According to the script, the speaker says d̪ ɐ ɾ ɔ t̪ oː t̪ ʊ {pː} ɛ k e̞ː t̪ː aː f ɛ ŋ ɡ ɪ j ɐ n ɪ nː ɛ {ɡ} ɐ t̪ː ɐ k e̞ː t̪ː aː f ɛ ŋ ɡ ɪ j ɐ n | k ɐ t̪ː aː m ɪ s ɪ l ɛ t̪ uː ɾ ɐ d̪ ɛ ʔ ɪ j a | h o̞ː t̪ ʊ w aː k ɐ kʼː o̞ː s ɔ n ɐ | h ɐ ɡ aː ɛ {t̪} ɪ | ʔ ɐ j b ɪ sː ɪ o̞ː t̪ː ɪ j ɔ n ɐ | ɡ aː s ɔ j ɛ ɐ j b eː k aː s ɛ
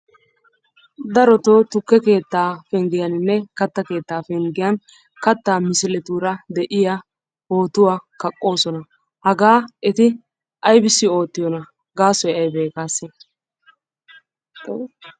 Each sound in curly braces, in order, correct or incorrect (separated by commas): incorrect, incorrect, correct